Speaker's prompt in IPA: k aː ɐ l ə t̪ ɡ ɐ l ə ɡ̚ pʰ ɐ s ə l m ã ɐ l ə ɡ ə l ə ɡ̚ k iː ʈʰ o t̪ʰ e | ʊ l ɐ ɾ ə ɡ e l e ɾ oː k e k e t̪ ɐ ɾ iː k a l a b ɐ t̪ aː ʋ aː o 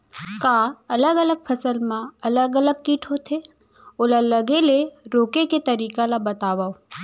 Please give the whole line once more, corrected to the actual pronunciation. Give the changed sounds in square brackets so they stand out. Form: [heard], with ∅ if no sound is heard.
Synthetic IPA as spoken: k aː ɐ l ə [∅] ɡ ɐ l ə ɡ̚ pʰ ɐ s ə l m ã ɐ l ə ɡ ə l ə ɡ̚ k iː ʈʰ o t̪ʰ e | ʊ l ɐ [l] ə ɡ e l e ɾ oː k e k e t̪ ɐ ɾ iː k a l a b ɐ t̪ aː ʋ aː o